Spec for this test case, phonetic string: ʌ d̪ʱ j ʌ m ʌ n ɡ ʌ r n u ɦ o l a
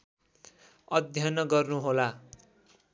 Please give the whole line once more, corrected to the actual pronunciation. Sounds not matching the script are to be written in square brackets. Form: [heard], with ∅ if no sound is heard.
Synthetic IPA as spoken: ʌ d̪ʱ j ʌ [n] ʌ [∅] ɡ ʌ r n u ɦ o l a